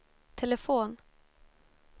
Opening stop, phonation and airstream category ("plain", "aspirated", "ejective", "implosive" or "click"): aspirated